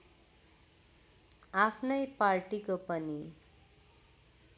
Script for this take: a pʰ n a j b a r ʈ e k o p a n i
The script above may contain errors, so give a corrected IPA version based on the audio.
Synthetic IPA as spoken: a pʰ n ʌ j p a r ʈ i k o p ʌ n i